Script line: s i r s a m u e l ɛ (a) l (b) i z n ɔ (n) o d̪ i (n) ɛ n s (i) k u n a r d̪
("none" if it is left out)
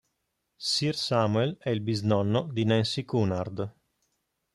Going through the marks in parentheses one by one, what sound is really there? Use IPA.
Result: i, b, nː, n, i

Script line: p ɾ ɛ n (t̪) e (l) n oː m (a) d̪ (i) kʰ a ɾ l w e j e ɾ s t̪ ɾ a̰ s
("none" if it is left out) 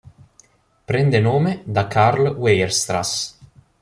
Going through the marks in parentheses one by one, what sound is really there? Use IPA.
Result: d̪, none, e, a

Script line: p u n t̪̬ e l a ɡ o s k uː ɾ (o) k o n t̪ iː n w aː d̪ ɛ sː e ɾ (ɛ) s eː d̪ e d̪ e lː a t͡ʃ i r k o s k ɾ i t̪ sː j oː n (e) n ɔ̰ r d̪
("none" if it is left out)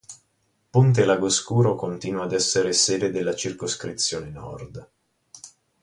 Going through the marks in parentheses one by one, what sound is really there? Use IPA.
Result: o, e, e

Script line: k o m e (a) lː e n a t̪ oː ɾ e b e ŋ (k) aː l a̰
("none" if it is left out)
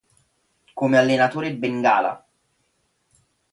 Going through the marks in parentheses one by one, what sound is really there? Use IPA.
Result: a, ɡ

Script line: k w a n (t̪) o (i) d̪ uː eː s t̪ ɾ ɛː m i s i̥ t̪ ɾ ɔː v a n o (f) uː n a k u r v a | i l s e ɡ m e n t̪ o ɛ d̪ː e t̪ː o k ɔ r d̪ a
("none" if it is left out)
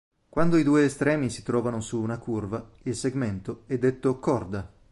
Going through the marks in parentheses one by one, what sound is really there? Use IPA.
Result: d̪, i, s

